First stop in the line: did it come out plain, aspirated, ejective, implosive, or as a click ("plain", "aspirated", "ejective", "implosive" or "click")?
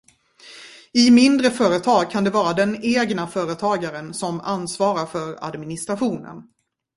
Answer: plain